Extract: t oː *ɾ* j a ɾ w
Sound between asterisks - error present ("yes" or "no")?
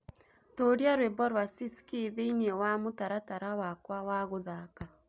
no